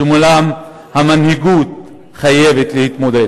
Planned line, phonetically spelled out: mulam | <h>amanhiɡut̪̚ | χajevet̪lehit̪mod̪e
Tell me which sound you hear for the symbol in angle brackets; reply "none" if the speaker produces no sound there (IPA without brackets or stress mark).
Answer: h